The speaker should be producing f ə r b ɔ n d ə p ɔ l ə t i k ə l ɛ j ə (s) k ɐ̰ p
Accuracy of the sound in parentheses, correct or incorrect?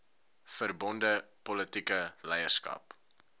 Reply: correct